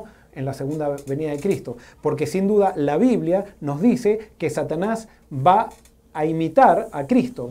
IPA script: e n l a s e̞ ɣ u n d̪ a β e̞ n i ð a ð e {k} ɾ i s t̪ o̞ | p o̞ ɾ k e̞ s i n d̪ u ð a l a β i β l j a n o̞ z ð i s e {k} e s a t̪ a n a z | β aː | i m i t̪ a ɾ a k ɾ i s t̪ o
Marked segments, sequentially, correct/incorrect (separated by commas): correct, correct